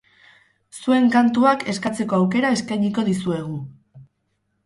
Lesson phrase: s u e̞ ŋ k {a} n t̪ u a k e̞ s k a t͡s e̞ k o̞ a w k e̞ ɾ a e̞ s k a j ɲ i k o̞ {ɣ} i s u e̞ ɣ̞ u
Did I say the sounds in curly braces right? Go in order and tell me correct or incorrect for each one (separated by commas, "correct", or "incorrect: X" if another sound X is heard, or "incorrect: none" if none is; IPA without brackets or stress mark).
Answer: correct, incorrect: ð